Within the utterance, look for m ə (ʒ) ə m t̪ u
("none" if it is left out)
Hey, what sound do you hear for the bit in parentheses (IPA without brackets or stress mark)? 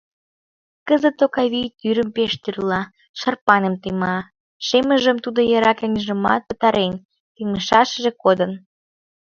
ʒ